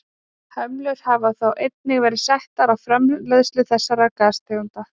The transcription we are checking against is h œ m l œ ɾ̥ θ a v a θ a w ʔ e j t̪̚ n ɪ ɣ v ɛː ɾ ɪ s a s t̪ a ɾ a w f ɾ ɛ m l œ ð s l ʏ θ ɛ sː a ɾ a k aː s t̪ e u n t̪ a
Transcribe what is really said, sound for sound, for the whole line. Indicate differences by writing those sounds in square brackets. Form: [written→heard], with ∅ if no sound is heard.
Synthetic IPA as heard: h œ m l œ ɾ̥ [θ→h] a v a θ a w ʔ e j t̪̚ n ɪ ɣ v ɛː ɾ ɪ s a [s→h] t̪ a ɾ a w f ɾ ɛ m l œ ð s l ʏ θ ɛ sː a ɾ a k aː s t̪ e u n t̪ a